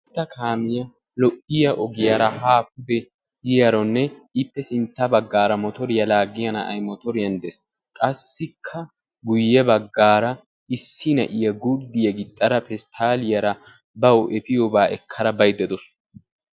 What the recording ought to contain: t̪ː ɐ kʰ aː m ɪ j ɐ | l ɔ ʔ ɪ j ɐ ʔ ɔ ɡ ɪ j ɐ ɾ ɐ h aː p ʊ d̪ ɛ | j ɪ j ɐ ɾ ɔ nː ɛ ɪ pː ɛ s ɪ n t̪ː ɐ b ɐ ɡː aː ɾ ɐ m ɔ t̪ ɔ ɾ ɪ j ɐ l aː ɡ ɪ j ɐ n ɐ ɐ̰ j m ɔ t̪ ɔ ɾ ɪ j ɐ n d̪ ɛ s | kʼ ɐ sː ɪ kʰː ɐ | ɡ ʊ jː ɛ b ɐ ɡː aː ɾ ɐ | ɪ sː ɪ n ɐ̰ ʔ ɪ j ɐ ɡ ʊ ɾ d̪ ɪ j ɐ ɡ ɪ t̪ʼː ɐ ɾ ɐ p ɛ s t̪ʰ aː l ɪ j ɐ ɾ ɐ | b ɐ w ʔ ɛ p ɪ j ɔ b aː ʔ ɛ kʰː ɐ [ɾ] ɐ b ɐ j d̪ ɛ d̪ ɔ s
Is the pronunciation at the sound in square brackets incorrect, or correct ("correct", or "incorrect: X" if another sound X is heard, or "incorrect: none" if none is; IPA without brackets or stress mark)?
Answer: correct